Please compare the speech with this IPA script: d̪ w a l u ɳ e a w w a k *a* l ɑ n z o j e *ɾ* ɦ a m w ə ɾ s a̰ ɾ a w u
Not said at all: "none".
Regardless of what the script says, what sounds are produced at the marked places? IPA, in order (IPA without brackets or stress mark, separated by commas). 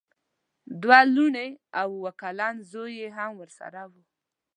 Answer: a, none